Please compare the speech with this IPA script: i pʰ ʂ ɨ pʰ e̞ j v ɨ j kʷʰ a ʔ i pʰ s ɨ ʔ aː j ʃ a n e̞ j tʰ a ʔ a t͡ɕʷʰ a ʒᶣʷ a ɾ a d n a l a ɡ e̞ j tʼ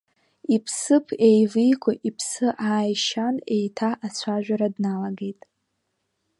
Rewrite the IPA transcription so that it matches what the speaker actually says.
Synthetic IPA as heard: i pʰ s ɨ pʰ e̞ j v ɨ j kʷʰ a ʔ i pʰ s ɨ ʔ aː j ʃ a n e̞ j tʰ a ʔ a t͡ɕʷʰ a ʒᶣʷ a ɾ a d n a l a ɡ e̞ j tʼ